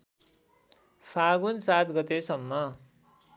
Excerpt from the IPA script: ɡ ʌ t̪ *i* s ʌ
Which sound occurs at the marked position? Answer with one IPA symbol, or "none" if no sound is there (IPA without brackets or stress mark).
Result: e